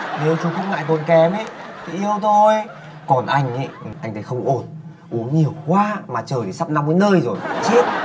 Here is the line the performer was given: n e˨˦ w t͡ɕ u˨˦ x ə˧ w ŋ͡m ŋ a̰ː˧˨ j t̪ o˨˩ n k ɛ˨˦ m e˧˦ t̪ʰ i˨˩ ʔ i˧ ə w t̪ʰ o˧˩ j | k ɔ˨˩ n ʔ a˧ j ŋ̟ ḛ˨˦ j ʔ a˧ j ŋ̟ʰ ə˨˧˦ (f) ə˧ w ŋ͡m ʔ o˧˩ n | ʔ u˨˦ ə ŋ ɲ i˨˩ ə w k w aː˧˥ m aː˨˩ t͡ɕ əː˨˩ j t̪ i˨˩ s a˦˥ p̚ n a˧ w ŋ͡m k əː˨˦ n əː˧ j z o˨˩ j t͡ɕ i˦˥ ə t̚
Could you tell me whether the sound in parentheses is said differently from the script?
yes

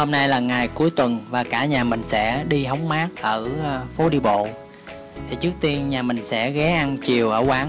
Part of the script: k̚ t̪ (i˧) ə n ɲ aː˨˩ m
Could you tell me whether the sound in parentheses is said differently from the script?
no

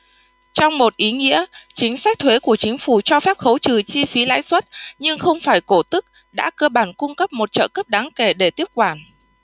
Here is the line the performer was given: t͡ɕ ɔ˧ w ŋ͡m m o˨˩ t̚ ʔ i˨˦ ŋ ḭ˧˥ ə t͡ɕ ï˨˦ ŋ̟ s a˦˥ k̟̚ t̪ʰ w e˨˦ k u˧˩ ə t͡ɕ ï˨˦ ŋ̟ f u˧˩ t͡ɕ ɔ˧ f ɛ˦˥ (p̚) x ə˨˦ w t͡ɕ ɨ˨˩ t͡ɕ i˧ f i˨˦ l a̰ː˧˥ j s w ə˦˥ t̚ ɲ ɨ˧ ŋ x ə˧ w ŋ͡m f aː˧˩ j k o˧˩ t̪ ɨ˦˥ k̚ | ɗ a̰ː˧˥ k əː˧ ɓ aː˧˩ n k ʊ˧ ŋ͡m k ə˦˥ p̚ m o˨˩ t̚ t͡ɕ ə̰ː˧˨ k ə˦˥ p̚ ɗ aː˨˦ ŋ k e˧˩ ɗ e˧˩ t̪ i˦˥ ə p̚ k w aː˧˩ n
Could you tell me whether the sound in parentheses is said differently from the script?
no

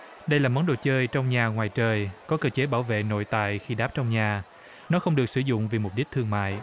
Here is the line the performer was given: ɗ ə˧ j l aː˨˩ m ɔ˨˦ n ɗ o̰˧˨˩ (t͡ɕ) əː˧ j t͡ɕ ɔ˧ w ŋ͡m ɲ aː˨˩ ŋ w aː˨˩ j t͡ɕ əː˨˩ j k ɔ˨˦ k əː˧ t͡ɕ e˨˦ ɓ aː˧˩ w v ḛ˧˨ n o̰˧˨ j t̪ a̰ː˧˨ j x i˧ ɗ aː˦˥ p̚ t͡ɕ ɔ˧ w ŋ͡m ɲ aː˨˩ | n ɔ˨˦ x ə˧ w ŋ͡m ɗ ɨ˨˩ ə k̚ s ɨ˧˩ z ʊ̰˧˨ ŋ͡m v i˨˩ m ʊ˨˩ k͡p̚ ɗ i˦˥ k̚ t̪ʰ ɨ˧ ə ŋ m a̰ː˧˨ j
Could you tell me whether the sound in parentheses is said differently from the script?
no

